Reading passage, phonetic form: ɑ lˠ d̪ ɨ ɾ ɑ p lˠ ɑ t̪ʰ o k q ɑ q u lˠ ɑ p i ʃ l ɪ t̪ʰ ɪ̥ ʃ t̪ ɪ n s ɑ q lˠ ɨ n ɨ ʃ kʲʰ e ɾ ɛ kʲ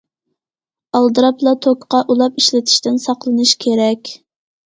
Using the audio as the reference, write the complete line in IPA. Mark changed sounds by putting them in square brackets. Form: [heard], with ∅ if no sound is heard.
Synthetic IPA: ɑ lˠ d̪ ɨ ɾ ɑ p lˠ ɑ t̪ʰ o k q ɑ [ʔ] u lˠ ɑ p i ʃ l ɪ t̪ʰ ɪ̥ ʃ t̪ ɪ n s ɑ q lˠ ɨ n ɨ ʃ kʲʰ e ɾ ɛ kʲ